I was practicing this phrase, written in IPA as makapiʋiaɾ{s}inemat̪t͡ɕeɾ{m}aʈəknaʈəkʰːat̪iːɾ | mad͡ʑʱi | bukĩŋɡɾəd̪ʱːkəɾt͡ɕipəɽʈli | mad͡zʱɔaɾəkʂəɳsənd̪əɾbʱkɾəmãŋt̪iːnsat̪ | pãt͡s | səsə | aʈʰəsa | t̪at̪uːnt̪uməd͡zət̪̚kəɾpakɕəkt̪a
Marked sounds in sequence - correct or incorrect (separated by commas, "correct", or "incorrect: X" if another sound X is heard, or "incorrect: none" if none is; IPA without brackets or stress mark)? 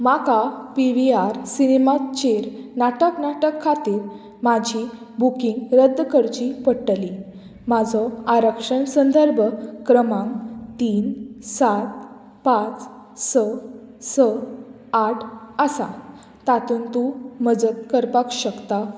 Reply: correct, incorrect: n